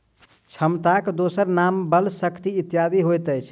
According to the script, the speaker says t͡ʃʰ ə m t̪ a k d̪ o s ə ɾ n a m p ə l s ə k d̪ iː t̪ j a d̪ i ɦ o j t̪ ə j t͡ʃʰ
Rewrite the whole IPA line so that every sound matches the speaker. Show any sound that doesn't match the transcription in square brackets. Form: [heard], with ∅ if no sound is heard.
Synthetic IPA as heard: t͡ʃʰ ə m t̪ a k d̪ o s ə ɾ n a m [b] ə l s ə k [t̪] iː t̪ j a d̪ i ɦ o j t̪ ə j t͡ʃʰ